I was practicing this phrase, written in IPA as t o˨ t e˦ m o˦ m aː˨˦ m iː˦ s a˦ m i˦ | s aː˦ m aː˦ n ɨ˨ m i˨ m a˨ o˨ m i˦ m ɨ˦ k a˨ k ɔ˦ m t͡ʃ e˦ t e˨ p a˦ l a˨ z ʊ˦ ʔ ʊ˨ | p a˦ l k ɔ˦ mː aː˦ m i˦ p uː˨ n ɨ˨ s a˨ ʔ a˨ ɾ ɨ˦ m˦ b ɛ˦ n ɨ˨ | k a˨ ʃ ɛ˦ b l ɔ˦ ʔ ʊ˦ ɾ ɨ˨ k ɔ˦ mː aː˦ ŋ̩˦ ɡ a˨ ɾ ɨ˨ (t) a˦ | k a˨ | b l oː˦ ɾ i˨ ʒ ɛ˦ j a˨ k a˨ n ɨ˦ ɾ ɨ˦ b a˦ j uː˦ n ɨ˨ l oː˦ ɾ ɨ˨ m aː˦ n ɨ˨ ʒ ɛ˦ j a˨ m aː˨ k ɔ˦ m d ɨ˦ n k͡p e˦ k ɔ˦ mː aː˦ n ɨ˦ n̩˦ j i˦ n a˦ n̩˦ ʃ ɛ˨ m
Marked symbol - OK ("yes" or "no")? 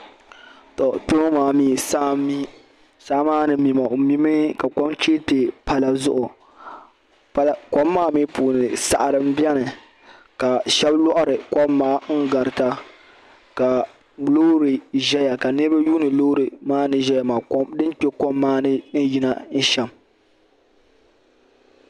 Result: yes